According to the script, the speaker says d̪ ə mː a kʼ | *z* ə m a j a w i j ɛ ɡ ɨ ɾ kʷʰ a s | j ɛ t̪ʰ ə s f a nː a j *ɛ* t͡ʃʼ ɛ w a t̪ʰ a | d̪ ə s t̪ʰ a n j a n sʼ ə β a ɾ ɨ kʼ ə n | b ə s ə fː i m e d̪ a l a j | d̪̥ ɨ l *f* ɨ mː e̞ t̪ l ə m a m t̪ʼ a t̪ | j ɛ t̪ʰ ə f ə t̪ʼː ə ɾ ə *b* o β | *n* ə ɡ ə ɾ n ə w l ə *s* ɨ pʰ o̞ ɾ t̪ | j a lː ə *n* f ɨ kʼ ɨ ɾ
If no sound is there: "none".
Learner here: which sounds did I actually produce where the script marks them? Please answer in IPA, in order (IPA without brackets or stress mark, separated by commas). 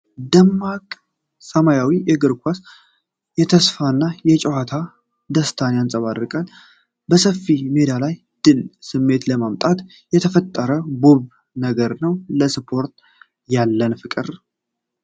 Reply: s, ɛ, s, b, n, s, n